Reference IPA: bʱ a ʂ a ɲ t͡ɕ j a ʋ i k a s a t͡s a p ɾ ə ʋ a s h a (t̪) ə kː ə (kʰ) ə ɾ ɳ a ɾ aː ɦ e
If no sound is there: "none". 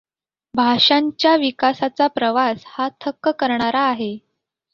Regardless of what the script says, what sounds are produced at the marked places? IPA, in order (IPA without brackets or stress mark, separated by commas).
t̪ʰ, k